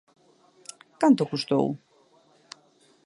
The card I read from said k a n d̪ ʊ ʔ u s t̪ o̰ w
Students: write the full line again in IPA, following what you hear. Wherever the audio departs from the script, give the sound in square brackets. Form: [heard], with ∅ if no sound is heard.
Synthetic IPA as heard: k a n [t̪] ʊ [k] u s t̪ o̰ w